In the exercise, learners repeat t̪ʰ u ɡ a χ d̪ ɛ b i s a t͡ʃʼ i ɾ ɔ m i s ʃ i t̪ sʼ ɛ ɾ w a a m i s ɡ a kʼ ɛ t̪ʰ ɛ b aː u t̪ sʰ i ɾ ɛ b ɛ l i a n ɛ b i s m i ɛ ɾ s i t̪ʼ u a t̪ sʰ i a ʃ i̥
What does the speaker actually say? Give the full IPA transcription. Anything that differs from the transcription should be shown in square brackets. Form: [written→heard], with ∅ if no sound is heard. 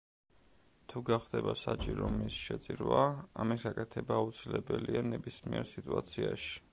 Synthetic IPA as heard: t̪ʰ u ɡ a χ d̪ ɛ b [i→a] s a t͡ʃʼ i ɾ ɔ m i s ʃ [i→ɛ] t̪ sʼ [ɛ→i] ɾ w a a m i s ɡ a kʼ ɛ t̪ʰ ɛ b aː u t̪ sʰ i [ɾ→l] ɛ b ɛ l i a n ɛ b i s m i ɛ ɾ s i t̪ʼ u a t̪ sʰ i a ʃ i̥